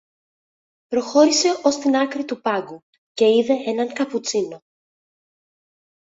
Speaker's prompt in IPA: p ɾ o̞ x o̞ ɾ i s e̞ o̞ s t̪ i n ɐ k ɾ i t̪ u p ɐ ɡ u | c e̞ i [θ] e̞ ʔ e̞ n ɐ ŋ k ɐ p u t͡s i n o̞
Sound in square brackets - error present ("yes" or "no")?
yes